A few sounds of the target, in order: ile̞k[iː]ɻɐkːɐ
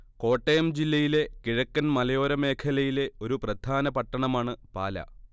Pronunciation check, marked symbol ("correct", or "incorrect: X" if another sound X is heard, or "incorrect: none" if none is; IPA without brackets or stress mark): incorrect: i